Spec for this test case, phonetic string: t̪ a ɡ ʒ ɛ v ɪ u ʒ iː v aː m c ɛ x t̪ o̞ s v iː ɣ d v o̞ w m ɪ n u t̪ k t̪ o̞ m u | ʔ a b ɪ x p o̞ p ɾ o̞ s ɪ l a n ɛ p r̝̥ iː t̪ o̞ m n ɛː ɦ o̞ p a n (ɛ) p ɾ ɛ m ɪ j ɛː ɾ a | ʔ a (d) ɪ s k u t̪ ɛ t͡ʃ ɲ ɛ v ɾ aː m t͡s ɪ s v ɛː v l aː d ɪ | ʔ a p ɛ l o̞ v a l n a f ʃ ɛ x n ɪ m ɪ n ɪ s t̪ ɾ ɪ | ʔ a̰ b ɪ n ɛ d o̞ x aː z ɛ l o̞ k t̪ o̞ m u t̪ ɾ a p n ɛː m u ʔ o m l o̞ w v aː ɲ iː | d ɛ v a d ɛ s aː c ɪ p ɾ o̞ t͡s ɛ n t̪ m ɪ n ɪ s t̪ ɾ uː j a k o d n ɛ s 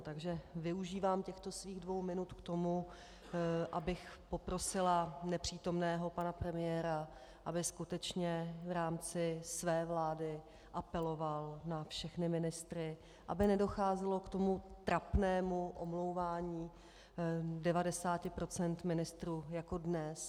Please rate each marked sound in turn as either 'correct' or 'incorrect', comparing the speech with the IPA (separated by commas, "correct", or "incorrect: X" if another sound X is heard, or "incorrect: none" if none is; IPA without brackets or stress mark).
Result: incorrect: a, incorrect: b